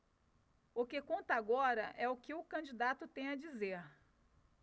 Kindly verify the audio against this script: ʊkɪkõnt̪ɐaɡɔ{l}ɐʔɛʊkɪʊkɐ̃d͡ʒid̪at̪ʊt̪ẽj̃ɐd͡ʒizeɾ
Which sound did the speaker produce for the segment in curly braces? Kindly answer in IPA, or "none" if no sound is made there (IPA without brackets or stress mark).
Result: ɾ